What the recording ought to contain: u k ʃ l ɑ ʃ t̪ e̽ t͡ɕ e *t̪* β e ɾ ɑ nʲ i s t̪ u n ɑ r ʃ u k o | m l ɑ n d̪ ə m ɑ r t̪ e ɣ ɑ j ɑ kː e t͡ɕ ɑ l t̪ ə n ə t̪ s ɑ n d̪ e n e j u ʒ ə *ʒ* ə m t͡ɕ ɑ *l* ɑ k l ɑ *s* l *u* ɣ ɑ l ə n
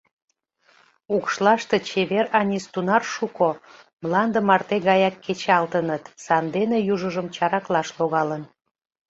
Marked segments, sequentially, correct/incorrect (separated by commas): incorrect, correct, incorrect, incorrect, incorrect